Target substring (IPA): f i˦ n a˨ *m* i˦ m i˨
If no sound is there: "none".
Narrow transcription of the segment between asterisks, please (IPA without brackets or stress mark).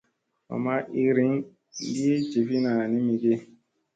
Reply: n